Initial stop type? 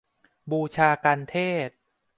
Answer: plain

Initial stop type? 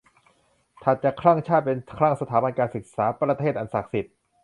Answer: aspirated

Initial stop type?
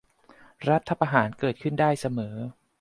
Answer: aspirated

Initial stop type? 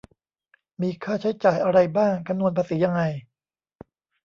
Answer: aspirated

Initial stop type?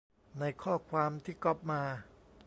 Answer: aspirated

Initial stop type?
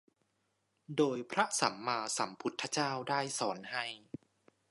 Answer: plain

